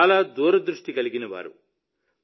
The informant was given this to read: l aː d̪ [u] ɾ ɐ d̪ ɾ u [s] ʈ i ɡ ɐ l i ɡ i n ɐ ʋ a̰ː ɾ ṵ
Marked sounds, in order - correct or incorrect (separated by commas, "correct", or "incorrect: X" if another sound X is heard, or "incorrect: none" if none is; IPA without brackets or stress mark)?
incorrect: uː, incorrect: ʂ